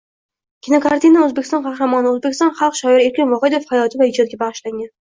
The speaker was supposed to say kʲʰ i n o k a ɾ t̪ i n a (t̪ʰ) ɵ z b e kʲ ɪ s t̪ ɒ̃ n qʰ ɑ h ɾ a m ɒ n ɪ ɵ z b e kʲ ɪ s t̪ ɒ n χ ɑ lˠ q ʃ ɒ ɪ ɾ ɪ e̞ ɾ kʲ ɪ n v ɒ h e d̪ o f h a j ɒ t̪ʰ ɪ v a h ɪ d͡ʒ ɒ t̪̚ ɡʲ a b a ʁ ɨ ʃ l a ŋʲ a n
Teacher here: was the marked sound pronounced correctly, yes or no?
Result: no